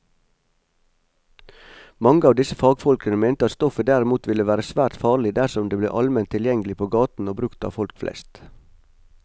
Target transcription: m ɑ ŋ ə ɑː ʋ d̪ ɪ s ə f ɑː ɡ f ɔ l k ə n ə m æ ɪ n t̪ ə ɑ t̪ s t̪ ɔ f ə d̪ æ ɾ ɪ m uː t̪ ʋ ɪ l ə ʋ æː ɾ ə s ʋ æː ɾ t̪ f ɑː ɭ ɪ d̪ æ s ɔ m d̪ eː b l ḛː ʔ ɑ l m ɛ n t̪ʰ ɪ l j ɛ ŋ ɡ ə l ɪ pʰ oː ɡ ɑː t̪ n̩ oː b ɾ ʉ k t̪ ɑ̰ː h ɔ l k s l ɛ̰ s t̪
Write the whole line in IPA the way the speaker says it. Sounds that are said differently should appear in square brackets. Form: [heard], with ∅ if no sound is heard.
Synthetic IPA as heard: m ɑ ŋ ə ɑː ʋ d̪ ɪ s ə f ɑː ɡ f ɔ l k ə n ə m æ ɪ n t̪ ə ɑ t̪ s t̪ ɔ f ə d̪ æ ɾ ɪ m uː t̪ ʋ ɪ l ə ʋ æː ɾ ə s ʋ æː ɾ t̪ f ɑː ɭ ɪ d̪ æ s ɔ m d̪ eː b l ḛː ʔ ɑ l m ɛ n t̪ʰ ɪ l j ɛ ŋ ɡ ə l ɪ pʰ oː ɡ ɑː t̪ n̩ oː b ɾ ʉ k t̪ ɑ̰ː [f] ɔ l k [f] l ɛ̰ s t̪